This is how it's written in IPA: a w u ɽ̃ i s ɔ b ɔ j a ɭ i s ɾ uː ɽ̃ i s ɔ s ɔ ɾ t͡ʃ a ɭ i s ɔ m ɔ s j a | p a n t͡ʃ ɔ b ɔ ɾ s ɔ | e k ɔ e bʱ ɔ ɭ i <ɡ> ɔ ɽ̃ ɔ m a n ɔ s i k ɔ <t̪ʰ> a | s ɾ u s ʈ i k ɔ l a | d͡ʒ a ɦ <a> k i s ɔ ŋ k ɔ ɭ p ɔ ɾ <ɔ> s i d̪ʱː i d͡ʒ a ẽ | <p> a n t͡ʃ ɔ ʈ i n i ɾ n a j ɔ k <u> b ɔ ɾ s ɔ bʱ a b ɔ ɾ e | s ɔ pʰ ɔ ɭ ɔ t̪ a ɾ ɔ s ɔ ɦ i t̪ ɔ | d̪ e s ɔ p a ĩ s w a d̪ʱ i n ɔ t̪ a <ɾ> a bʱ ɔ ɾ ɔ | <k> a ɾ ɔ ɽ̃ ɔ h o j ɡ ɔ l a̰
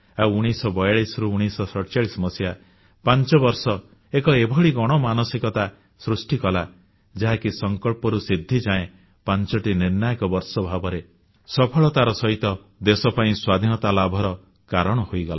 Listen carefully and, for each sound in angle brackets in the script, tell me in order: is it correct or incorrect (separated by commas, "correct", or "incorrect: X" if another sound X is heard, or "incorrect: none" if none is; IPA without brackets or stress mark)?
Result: correct, incorrect: t̪, correct, incorrect: u, correct, incorrect: ɔ, incorrect: l, correct